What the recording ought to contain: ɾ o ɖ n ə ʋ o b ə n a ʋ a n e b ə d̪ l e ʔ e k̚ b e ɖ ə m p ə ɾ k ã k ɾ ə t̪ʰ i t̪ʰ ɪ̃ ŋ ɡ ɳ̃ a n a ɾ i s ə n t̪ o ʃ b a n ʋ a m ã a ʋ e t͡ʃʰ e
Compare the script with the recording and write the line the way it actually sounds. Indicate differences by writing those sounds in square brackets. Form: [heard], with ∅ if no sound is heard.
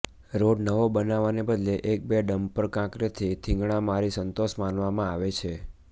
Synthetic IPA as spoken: ɾ o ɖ n ə ʋ o b ə n a ʋ a n e b ə d̪ l e ʔ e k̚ b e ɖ ə m p ə ɾ k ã k ɾ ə t̪ʰ i t̪ʰ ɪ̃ ŋ ɡ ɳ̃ a [m] a ɾ i s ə n t̪ o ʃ [m] a n ʋ a m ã a ʋ e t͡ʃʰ e